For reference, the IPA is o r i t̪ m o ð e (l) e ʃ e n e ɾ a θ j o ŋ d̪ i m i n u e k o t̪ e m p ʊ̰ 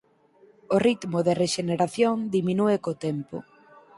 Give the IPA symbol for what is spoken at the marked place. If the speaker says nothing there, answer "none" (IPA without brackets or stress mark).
r